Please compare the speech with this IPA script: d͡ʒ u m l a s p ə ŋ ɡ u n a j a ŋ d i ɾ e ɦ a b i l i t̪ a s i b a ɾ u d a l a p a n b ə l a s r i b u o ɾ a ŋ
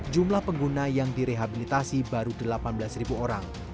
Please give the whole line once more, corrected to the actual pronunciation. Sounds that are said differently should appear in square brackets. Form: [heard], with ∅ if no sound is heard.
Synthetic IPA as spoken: d͡ʒ u m l a [h] p ə ŋ ɡ u n a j a ŋ d i ɾ e ɦ a b i l i t̪ a s i b a ɾ u d [ə] l a p a n b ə l a s r i b u o ɾ a ŋ